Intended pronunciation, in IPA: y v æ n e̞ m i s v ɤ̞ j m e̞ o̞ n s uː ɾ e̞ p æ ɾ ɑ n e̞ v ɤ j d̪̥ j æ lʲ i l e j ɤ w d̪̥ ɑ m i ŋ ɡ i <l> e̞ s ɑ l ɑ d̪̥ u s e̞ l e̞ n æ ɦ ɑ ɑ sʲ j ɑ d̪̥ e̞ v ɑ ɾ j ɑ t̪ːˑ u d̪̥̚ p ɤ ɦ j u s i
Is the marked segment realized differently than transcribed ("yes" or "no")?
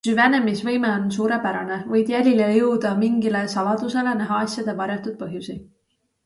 no